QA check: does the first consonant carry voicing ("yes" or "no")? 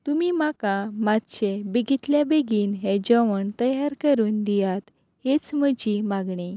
no